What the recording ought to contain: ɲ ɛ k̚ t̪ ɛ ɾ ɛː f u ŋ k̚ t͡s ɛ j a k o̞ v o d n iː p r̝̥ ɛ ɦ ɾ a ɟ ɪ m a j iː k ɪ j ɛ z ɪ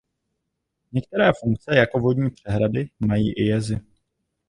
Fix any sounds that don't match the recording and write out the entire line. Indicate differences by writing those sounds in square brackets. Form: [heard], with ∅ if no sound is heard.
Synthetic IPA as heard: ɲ ɛ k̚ t̪ ɛ ɾ ɛː f u ŋ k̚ t͡s ɛ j a k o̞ v o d [ɲ] iː p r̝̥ ɛ ɦ ɾ a [d] ɪ m a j iː [ʔ] ɪ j ɛ z ɪ

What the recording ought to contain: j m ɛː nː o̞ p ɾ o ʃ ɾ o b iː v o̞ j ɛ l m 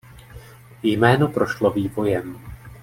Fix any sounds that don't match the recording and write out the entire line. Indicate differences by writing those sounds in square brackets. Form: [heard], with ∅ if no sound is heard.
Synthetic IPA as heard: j m ɛː [n] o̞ p ɾ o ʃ [l] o [v] iː v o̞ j ɛ [∅] m

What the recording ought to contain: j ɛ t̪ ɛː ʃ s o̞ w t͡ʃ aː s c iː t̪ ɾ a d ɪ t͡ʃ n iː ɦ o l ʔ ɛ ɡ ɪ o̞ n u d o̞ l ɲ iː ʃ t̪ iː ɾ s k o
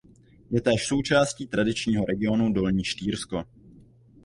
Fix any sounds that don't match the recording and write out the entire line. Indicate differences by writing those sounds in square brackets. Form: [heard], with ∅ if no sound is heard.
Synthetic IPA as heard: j ɛ t̪ ɛː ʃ s o̞ w t͡ʃ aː s c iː t̪ ɾ a d ɪ t͡ʃ [ɲ] iː ɦ o [ɾ] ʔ ɛ ɡ ɪ o̞ n u d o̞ l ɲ iː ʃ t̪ iː ɾ s k o

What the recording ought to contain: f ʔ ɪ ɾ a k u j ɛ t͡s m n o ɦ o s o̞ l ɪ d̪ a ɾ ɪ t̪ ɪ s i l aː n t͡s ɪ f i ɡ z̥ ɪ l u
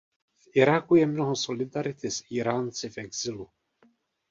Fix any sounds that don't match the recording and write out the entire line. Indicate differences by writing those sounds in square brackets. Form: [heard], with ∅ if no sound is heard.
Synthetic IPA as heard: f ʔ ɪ ɾ a k u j ɛ [∅] m n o ɦ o s o̞ l ɪ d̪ a ɾ ɪ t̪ ɪ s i [ɾ] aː n t͡s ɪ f [ɛ] ɡ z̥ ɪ l u

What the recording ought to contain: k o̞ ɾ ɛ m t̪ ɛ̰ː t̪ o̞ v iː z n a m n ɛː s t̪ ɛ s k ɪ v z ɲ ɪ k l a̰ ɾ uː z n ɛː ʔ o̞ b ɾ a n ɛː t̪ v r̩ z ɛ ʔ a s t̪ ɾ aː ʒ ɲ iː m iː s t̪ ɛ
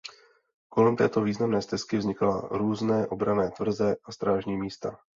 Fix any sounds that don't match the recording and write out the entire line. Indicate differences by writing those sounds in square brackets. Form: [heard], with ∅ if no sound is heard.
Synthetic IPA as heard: k o̞ [l] ɛ m t̪ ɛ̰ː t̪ o̞ v iː z n a m n ɛː s t̪ ɛ s k ɪ v z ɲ ɪ k l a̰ ɾ uː z n ɛː ʔ o̞ b ɾ a n ɛː t̪ v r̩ z ɛ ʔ a s t̪ ɾ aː ʒ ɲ iː m iː s t̪ [a]

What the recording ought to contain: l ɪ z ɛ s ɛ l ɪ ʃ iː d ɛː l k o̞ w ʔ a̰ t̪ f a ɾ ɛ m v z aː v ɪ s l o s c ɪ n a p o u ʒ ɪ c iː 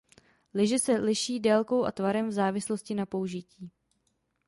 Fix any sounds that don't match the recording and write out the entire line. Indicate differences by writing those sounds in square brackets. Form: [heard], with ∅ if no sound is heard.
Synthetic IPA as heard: l ɪ [ʒ] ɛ s ɛ l ɪ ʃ iː d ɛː l k o̞ w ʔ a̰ t̪ [v] a ɾ ɛ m v z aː v ɪ s l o s c ɪ n a p o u ʒ ɪ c iː

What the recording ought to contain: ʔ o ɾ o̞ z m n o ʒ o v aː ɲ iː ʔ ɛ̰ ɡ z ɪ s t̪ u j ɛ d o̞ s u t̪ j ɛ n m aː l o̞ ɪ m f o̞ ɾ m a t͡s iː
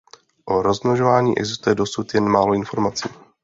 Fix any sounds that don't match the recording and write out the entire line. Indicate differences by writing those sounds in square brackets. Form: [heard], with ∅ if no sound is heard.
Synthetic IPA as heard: ʔ o ɾ o̞ z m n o ʒ o v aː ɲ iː ʔ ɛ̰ ɡ z ɪ s t̪ u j ɛ d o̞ s u t̪ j ɛ n m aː l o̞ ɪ [n] f o̞ ɾ m a t͡s iː

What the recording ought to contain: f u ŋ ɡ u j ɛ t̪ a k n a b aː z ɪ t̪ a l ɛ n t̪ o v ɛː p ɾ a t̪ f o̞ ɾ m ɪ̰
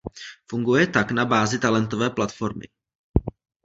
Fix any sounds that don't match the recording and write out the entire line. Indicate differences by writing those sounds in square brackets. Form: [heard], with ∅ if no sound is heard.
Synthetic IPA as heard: f u ŋ ɡ u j ɛ t̪ a k n a b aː z ɪ t̪ a l ɛ n t̪ o v ɛː p [l] a t̪ f o̞ ɾ m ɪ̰

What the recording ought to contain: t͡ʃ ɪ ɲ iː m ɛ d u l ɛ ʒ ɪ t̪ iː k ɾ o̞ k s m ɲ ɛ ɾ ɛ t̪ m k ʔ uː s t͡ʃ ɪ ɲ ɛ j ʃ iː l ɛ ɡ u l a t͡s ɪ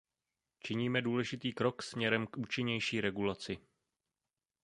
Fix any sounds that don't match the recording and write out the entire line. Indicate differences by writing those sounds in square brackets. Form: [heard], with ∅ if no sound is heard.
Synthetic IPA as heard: t͡ʃ ɪ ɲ iː m ɛ d [uː] l ɛ ʒ ɪ t̪ iː k ɾ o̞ k s m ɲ ɛ ɾ ɛ [∅] m k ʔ uː [∅] t͡ʃ ɪ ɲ ɛ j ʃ iː [ɾ] ɛ ɡ u l a t͡s ɪ

